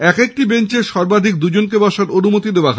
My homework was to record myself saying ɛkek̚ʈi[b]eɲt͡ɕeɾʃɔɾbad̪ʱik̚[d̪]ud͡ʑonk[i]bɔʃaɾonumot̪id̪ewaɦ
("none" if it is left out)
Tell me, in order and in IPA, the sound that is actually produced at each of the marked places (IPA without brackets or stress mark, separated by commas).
b, d̪, e